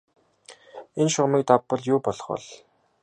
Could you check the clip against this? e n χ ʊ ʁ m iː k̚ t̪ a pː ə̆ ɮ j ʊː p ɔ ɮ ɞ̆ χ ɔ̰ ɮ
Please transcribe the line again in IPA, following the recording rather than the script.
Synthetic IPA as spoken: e n ʃ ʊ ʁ m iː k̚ t̪ a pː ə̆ ɮ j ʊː p ɔ ɮ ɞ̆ χ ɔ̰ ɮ